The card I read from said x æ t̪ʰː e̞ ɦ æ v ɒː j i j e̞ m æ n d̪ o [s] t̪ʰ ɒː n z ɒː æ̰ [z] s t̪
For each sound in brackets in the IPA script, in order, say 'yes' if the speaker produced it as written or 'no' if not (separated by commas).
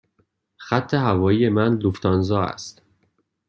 no, no